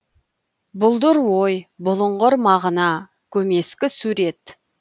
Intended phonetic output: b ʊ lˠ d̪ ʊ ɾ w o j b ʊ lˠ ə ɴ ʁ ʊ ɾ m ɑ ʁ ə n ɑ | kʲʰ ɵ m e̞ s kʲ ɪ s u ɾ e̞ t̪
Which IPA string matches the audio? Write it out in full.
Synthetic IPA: b ʊ lˠ d̪ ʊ ɾ w o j b ʊ lˠ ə ɴ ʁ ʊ ɾ m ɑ ʁ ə n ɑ | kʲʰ ɵ m e̞ s kʲ ɪ s u ɾ e̞ t̪